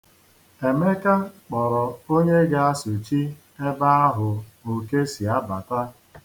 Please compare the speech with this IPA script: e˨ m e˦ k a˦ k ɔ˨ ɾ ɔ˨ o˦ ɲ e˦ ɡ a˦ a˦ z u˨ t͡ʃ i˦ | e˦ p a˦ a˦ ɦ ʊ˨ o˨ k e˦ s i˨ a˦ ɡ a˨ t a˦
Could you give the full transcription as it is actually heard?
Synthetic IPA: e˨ m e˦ k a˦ k͡p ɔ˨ ɾ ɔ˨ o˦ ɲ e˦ ɡ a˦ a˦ s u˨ t͡ʃ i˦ | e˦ b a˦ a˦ ɦ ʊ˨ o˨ k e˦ s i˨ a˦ b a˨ t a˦